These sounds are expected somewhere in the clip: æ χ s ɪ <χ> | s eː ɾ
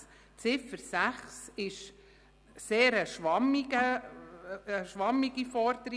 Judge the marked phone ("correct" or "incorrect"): incorrect